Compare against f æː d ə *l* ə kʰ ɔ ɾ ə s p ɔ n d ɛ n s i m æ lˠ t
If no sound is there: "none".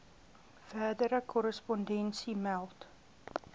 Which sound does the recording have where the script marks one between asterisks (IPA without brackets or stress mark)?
ɾ